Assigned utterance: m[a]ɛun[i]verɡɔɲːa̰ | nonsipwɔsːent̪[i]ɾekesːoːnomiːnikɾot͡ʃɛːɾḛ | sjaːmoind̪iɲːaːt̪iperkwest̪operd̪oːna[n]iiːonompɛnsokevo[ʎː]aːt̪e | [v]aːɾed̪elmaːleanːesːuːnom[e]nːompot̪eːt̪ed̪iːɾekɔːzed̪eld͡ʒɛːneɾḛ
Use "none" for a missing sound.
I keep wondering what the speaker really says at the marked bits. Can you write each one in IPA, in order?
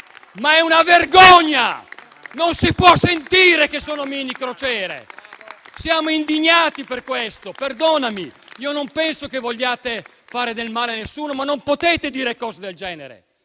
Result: a, a, iː, m, ʎː, f, a

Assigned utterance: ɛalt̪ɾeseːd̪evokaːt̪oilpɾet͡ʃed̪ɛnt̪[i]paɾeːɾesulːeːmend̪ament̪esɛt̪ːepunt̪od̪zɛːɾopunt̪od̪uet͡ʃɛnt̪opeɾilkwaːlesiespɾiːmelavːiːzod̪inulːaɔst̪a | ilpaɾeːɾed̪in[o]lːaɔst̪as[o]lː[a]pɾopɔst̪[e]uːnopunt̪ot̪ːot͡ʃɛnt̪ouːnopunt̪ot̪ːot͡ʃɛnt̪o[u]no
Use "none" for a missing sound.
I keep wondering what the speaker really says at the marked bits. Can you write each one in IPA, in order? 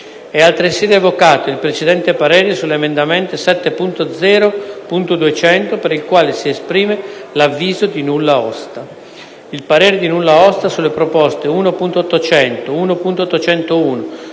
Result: e, u, u, e, e, uː

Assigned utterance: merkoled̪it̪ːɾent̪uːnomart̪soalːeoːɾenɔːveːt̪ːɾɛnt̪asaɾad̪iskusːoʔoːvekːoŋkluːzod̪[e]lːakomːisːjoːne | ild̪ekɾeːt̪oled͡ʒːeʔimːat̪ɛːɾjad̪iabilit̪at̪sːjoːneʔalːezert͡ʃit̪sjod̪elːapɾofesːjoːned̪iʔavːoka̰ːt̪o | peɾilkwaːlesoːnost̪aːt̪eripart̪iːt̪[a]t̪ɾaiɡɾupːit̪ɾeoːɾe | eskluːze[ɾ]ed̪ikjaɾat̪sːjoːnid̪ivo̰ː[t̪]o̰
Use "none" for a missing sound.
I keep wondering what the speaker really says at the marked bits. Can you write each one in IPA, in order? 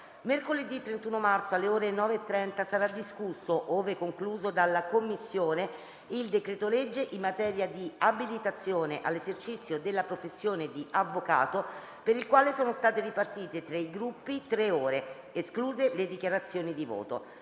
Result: a, e, l, t̪

